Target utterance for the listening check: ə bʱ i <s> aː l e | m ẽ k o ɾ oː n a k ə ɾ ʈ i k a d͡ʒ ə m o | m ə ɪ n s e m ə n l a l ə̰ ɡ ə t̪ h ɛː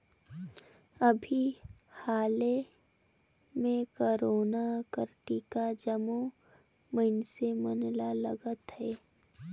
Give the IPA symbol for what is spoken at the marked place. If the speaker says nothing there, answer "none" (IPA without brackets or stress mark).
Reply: h